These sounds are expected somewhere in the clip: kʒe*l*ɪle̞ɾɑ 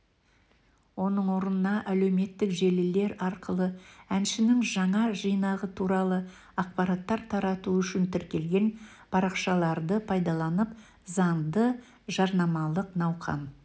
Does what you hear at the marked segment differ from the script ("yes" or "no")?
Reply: no